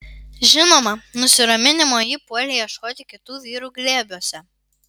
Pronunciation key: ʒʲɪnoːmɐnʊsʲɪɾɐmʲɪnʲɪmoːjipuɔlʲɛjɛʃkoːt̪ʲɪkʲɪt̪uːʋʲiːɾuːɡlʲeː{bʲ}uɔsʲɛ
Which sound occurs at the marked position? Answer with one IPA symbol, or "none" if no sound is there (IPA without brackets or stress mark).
bʲ